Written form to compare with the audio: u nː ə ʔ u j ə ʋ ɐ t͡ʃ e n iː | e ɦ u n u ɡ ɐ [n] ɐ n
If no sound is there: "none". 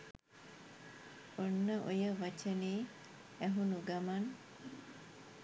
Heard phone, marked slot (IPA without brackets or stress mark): m